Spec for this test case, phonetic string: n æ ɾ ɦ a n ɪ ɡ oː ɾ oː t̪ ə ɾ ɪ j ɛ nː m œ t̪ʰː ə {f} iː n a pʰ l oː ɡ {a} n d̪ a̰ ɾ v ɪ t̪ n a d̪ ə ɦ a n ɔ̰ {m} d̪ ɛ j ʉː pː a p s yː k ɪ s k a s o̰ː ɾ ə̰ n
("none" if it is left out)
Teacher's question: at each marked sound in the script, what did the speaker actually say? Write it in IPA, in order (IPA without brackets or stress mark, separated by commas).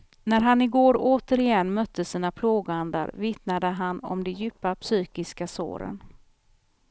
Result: s, a, m